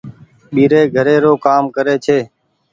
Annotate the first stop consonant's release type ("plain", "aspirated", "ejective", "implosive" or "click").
implosive